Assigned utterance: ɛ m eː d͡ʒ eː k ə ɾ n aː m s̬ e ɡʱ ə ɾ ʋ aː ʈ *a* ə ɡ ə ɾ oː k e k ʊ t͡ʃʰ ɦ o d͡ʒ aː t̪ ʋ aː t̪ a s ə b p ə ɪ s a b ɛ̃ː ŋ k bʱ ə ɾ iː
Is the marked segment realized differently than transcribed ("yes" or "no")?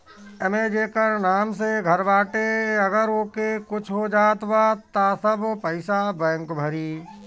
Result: yes